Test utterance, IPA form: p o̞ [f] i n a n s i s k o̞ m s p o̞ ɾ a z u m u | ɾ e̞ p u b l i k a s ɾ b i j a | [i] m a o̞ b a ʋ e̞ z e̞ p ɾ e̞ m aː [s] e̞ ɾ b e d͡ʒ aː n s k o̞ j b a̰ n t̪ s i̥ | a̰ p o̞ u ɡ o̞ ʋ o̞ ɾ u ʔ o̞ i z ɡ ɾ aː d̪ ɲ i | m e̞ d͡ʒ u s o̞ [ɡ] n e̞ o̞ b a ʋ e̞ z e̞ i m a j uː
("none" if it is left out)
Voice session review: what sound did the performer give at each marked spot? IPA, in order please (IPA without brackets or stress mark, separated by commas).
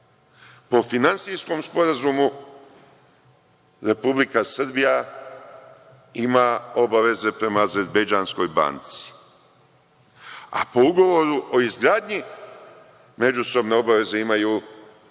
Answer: f, i, z, b